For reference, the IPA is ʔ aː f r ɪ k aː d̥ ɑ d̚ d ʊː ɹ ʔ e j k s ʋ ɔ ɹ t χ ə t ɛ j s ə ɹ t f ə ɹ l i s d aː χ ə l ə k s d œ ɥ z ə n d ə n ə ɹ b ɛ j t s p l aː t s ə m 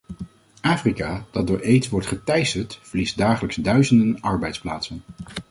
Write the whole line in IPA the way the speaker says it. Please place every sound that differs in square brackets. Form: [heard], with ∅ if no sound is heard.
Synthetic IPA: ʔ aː f r [i] k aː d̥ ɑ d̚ d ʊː ɹ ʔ e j [t] s ʋ ɔ ɹ t χ ə t ɛ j s ə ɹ t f ə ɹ l i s d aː χ ə l ə k s d œ ɥ z ə n d ə n [ɑ] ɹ b ɛ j t s p l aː t s ə [n]

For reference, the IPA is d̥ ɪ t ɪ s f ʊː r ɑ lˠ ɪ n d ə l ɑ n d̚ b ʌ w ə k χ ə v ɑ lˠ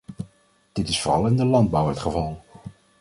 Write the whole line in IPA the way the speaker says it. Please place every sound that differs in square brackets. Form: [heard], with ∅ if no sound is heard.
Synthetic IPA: d̥ ɪ t ɪ s f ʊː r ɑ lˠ ɪ n d ə l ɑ n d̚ b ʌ w ə [t] χ ə v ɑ lˠ

